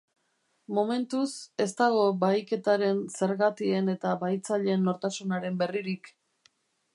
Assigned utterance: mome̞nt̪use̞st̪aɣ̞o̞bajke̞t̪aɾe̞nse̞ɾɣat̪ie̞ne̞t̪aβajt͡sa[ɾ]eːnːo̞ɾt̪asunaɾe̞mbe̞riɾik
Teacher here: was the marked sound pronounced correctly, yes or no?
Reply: no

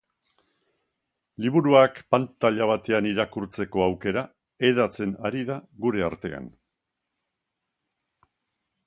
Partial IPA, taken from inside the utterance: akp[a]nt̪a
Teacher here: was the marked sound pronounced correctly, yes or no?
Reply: yes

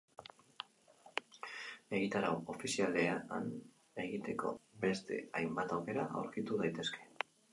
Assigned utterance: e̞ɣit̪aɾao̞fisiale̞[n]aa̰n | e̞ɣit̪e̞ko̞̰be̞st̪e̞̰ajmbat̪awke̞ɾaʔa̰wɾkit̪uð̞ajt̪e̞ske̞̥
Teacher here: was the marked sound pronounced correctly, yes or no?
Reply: no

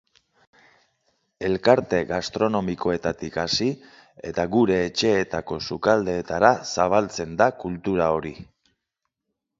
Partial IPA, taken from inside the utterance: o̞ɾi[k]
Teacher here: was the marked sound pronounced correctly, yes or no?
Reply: no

